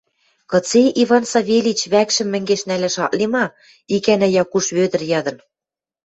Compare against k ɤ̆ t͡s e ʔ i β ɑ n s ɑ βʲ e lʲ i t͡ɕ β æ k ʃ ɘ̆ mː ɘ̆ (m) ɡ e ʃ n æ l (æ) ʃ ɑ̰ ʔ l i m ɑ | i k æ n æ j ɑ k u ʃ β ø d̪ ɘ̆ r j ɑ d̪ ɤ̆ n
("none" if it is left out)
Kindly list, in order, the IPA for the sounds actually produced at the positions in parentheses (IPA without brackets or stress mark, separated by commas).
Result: ŋ, æ